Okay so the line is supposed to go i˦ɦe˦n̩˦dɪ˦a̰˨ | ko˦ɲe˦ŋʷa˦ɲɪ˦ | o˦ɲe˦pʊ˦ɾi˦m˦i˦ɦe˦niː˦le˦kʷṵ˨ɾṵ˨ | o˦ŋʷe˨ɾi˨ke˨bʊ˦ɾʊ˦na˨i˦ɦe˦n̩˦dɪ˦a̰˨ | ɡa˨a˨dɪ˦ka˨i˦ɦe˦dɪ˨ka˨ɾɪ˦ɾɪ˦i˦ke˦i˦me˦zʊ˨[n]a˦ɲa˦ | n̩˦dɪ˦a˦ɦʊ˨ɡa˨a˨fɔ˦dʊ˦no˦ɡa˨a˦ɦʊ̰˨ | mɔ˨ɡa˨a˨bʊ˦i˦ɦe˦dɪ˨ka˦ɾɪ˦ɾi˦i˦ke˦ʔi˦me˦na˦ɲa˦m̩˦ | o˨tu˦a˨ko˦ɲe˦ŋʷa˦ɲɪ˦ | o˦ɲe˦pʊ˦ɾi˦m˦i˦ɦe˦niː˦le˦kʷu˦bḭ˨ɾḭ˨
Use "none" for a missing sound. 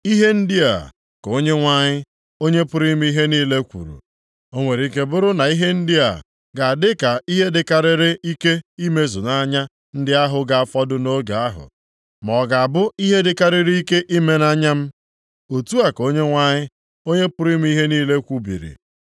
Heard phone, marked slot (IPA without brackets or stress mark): n